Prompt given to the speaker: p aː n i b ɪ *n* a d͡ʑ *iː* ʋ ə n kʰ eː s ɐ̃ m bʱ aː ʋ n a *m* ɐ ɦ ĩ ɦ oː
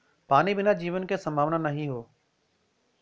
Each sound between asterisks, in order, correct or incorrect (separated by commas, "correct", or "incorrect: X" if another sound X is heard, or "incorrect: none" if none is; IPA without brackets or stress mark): correct, correct, incorrect: n